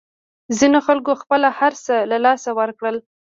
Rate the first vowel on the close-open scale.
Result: close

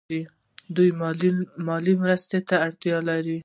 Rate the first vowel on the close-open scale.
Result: close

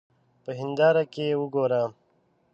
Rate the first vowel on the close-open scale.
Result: mid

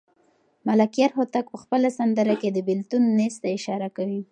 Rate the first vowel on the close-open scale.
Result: open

